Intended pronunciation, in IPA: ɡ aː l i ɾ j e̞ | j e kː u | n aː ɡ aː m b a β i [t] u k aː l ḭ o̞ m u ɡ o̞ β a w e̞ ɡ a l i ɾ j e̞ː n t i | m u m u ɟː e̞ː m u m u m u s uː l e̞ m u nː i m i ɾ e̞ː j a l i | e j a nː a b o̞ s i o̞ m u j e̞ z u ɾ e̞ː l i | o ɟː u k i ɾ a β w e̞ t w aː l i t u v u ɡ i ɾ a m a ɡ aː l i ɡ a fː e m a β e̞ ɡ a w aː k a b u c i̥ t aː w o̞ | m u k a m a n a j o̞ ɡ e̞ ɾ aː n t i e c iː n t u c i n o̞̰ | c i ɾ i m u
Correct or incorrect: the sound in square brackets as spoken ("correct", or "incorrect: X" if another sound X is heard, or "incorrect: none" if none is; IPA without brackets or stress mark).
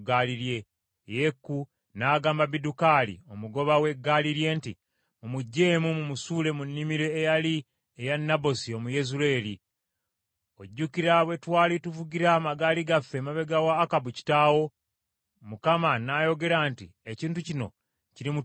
incorrect: d